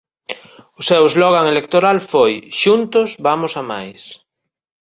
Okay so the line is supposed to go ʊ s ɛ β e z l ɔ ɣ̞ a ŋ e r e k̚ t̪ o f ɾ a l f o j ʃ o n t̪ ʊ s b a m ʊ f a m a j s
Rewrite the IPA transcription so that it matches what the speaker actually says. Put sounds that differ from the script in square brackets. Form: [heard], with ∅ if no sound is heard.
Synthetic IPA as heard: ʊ s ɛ [w] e z l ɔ ɣ̞ a ŋ e [l] e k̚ t̪ o [∅] ɾ a l f o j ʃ [u] n t̪ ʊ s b a m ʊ [s] a m a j s